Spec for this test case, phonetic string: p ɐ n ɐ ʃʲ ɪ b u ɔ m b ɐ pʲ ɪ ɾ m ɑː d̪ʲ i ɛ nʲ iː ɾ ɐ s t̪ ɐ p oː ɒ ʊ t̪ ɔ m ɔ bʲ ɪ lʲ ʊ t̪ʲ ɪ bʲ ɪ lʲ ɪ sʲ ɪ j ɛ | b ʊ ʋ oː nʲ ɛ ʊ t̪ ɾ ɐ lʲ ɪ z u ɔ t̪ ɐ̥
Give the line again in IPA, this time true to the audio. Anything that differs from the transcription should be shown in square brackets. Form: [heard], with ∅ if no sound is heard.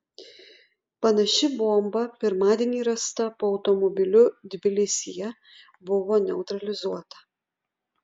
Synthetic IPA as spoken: p ɐ n ɐ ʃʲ ɪ b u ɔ m b ɐ pʲ ɪ ɾ m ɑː d̪ʲ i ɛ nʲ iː ɾ ɐ s t̪ ɐ p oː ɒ ʊ t̪ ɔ m ɔ bʲ ɪ lʲ ʊ [d̪ʲ] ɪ bʲ ɪ lʲ ɪ sʲ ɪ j ɛ | b ʊ ʋ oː nʲ ɛ ʊ t̪ ɾ ɐ lʲ ɪ z u ɔ t̪ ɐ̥